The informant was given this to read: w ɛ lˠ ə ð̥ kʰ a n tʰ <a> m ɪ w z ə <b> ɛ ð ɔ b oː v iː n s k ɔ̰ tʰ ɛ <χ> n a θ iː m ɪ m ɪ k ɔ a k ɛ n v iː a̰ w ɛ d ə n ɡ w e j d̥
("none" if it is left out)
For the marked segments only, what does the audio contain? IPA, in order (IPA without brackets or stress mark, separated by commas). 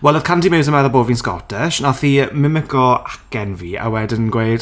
i, m, ʃ